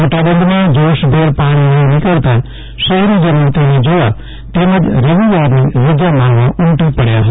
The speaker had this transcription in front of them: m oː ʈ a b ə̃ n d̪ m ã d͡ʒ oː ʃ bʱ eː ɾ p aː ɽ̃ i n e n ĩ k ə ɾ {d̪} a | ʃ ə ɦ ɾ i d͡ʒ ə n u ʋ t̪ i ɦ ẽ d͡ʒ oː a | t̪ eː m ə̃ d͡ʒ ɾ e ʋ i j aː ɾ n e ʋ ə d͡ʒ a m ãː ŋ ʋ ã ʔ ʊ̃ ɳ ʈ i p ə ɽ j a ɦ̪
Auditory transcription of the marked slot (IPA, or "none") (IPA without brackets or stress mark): t̪